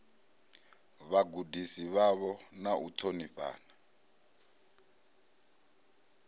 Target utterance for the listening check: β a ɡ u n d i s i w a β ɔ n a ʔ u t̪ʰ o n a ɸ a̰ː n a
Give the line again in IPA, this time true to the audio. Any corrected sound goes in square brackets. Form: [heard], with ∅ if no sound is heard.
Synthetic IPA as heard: β a ɡ u [∅] d i s i [β] a β ɔ n a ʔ u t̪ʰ o n [i] ɸ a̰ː n a